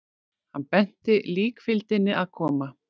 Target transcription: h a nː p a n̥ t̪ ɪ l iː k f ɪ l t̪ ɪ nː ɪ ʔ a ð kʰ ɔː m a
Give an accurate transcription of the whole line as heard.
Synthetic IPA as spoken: h a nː p ɛ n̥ t̪ ɪ l iː k f ɪ l t̪ ɪ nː ɪ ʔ a ð kʰ ɔː m a